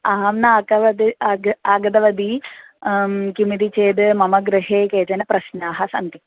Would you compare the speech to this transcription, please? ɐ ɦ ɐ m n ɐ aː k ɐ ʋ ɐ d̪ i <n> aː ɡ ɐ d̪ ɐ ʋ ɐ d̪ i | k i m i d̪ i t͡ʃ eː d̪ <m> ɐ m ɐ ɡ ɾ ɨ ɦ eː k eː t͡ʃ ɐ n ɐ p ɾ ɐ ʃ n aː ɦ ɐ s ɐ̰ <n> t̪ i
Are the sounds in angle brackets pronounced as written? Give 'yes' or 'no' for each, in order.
no, yes, yes

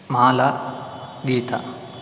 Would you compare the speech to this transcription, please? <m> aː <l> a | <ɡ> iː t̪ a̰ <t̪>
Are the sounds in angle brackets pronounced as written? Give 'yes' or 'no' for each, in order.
yes, yes, yes, no

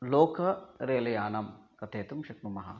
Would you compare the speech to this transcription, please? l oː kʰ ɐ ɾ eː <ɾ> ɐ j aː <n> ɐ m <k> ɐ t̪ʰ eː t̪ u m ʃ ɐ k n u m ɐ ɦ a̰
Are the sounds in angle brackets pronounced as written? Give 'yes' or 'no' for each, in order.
no, yes, yes

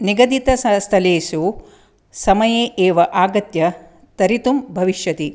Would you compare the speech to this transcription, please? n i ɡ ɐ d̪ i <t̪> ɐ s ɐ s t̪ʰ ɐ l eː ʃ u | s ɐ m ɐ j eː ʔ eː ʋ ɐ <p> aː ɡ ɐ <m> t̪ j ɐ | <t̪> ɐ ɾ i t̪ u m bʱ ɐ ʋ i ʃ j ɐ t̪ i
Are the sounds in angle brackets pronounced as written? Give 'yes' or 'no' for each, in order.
yes, no, no, yes

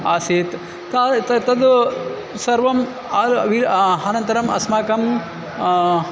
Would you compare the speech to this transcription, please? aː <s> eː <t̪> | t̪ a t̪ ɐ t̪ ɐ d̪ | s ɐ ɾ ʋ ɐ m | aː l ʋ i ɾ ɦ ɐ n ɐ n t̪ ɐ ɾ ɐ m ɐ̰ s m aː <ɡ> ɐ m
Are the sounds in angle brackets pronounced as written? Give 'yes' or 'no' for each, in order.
yes, yes, no

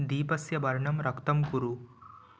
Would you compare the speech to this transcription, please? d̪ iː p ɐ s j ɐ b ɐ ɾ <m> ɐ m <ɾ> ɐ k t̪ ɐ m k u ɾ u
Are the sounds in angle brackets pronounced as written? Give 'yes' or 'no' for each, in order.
no, yes

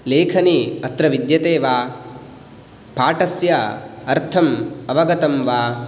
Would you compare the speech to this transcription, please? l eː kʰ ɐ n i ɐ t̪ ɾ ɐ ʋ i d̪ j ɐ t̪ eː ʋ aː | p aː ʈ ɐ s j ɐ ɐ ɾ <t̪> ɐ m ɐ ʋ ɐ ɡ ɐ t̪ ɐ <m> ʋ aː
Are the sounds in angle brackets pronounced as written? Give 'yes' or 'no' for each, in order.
no, yes

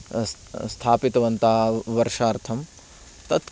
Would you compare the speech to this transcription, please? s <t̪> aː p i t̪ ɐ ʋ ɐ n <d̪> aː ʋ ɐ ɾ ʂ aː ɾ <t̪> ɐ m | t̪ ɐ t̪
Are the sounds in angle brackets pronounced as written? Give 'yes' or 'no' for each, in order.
no, no, no

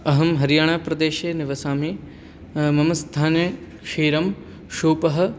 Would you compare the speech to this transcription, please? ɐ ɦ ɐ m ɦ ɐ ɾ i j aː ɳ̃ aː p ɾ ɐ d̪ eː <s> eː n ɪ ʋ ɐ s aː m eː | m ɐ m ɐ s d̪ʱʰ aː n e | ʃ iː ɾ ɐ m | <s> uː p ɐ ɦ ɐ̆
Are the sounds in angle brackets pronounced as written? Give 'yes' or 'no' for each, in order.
no, no

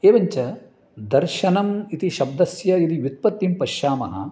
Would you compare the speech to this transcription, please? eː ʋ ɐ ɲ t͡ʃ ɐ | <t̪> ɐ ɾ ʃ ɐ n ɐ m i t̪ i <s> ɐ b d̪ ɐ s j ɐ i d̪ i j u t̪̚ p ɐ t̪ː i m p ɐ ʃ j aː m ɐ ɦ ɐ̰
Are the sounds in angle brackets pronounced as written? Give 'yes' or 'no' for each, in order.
no, no

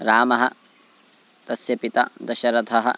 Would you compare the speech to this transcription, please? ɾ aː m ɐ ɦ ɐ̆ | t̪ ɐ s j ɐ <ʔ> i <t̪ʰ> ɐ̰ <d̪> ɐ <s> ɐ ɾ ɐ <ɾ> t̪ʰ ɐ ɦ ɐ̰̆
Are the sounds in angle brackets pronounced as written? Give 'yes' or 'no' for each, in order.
no, no, yes, no, no

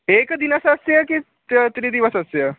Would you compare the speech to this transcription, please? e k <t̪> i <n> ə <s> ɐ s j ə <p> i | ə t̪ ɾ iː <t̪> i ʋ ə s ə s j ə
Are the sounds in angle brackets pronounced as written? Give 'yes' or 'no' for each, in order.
no, yes, yes, no, no

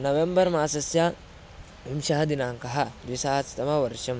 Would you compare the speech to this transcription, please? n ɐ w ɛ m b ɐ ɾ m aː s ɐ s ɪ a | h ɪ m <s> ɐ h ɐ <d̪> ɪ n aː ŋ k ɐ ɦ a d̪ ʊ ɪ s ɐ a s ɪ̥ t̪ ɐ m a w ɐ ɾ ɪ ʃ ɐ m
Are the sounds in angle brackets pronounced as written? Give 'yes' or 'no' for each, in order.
no, yes

